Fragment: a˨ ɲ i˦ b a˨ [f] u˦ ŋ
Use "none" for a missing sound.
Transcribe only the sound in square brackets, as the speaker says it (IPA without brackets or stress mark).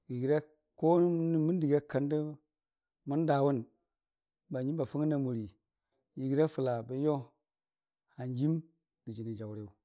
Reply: f